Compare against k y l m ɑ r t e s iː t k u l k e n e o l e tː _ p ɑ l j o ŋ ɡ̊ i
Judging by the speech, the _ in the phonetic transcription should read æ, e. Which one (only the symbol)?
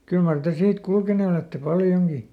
e